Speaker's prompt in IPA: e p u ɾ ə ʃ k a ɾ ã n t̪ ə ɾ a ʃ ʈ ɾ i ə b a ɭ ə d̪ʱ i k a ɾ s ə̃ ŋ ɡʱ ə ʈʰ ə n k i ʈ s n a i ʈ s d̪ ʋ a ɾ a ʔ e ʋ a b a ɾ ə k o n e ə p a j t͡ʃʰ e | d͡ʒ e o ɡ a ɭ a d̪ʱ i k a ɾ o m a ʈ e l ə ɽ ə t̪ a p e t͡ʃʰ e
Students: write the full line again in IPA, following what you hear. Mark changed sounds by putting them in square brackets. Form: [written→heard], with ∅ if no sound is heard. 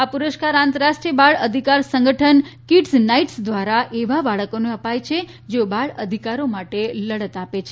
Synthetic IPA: [e→a] p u ɾ ə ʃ k a ɾ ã n t̪ ə ɾ a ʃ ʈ ɾ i ə b a ɭ ə d̪ʱ i k a ɾ s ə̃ ŋ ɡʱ ə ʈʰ ə n k i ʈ s n a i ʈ s d̪ ʋ a ɾ a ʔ e ʋ a b a [ɾ→ɭ] ə k o n e ə p a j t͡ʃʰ e | d͡ʒ e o [ɡ→b] a ɭ [a→ə] d̪ʱ i k a ɾ o m a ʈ e l ə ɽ ə t̪ a p e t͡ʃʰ e

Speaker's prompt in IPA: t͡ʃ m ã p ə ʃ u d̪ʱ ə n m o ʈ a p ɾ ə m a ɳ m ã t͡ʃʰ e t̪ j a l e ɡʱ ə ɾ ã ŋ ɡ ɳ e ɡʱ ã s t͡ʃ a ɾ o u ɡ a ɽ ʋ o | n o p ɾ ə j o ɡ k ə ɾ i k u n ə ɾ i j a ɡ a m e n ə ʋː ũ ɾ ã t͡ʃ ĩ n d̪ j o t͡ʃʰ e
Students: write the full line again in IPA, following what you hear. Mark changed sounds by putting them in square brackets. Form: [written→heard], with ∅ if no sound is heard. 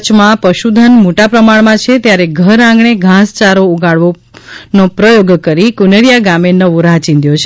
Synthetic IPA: t͡ʃ m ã p ə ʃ u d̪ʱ ə n m o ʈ a p ɾ ə m a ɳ m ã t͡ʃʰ e t̪ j a [l→ɾ] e ɡʱ ə ɾ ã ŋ ɡ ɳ e ɡʱ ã s t͡ʃ a ɾ o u ɡ a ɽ ʋ o | n o p ɾ ə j o ɡ k ə ɾ i k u n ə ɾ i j a ɡ a m e n ə [ʋː→ʋ] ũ ɾ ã t͡ʃ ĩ n d̪ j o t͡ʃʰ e

